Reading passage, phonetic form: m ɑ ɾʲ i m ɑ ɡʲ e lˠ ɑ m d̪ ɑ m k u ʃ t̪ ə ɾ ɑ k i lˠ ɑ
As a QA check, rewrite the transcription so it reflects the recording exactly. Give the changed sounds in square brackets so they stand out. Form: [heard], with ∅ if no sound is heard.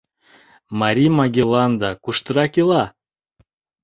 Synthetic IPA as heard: m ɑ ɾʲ i m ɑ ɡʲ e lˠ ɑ [n] d̪ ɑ [∅] k u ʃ t̪ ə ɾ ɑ k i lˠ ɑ